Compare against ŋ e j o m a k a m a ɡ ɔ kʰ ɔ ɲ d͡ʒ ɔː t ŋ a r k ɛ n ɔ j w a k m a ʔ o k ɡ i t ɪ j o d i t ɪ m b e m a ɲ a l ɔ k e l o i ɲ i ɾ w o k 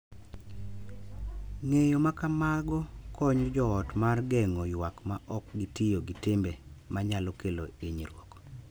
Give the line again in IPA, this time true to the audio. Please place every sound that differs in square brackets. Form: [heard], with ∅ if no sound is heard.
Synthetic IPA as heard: ŋ e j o m a k a m a ɡ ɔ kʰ ɔ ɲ d͡ʒ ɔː t [m] a r [ɡ] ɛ [ŋ] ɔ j w a k m a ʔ [ɔ] k ɡ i t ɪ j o [ɡ] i t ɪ m b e m a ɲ a l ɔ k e l o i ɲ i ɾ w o k